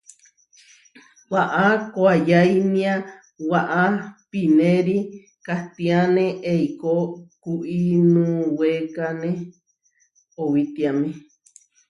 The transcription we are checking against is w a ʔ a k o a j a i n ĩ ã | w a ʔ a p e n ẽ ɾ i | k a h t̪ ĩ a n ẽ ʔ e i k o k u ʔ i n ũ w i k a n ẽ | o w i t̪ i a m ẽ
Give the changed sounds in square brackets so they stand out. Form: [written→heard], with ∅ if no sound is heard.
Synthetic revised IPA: w a ʔ a k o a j a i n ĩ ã | w a ʔ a p [e→i] n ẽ ɾ i | k a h t̪ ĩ a n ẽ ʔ e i k o k u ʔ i n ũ w [i→e] k a n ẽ | o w i t̪ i a m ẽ